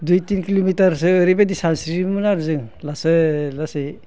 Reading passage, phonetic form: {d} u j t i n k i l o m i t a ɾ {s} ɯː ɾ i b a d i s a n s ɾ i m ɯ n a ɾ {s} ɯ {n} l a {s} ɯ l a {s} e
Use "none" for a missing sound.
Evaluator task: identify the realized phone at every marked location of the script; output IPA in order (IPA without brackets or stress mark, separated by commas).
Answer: d, s, z, ŋ, s, s